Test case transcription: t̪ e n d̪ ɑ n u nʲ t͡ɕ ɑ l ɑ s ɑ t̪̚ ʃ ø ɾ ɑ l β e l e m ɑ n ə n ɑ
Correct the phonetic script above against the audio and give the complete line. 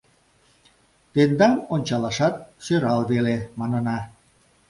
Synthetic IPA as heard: t̪ e n d̪ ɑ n o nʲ t͡ɕ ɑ l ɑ ʃ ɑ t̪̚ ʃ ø ɾ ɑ l β e l e m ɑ n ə n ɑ